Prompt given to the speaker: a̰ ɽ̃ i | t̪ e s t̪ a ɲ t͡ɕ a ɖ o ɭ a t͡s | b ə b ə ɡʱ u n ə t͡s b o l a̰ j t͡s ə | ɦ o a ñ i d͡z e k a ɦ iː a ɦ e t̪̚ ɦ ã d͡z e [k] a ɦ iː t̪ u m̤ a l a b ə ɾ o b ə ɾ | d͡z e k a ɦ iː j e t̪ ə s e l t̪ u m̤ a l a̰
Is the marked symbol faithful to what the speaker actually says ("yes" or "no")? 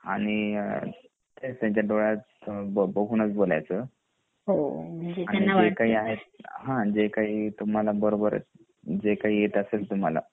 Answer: yes